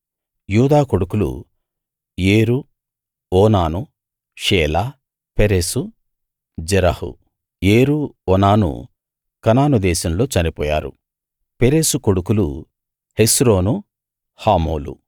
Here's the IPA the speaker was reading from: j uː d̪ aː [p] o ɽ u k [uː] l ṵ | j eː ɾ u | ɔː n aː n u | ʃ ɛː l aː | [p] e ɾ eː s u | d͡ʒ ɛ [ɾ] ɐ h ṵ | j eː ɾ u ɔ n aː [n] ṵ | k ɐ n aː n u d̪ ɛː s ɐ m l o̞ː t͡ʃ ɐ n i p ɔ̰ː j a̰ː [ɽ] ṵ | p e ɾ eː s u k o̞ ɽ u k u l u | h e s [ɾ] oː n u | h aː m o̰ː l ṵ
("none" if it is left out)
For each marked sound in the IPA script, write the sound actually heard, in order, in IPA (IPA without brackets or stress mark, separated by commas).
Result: k, u, p, ɾ, n, ɾ, ɾ